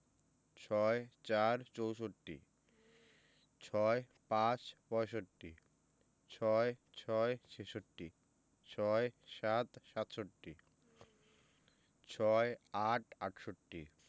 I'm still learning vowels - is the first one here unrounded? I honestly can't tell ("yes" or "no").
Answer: no